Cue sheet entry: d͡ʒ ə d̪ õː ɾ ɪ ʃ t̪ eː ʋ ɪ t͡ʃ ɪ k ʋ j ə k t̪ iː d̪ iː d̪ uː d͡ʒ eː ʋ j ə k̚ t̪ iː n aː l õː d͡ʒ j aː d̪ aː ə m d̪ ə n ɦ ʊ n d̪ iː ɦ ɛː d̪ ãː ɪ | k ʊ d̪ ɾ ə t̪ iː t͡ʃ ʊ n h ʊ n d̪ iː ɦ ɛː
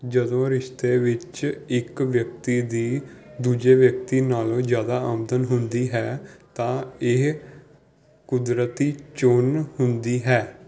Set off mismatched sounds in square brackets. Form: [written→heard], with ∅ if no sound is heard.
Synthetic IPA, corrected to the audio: d͡ʒ ə d̪ õː ɾ ɪ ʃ t̪ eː ʋ ɪ t͡ʃ ɪ k ʋ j ə k t̪ iː d̪ iː d̪ uː d͡ʒ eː ʋ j ə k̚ t̪ iː n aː l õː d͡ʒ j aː d̪ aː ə m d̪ ə n ɦ ʊ n d̪ iː ɦ ɛː [d̪→t̪] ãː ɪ | k ʊ d̪ ɾ ə t̪ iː t͡ʃ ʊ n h ʊ n d̪ iː ɦ ɛː